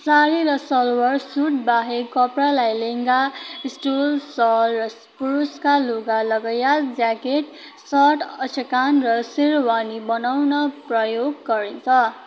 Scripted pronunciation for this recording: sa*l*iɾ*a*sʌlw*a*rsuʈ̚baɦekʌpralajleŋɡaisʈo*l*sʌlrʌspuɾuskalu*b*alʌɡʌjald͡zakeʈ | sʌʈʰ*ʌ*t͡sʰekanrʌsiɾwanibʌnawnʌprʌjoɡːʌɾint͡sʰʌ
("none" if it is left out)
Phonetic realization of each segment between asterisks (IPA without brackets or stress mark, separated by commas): ɾ, ʌ, ʌ, l, ɡ, ʌ